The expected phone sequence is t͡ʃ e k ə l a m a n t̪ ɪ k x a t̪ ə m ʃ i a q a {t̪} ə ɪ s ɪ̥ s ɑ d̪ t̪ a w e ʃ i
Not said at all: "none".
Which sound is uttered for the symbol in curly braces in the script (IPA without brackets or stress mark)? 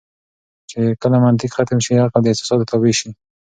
d̪